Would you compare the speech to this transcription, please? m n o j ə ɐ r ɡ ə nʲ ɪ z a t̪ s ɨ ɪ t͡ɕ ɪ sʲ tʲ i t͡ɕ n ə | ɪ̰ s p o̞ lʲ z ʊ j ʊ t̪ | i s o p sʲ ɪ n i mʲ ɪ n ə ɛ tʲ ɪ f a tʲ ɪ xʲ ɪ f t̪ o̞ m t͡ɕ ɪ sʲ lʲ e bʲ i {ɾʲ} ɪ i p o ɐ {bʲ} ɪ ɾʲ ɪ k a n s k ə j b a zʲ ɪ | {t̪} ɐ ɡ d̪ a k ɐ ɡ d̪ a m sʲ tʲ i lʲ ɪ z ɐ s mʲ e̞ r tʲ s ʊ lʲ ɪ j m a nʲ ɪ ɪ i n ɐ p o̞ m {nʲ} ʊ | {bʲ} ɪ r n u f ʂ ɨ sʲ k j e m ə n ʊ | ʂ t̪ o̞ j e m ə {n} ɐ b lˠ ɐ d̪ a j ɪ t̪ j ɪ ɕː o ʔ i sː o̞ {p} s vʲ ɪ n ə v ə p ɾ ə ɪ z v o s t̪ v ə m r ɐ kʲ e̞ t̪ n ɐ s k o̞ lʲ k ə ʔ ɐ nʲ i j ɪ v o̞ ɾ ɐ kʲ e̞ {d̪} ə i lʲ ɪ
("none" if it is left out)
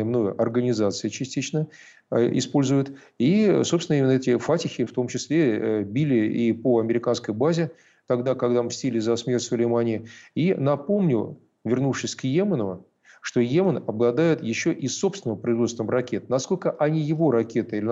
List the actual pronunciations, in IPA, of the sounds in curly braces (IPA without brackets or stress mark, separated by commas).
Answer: lʲ, mʲ, t̪, nʲ, vʲ, n, p, t̪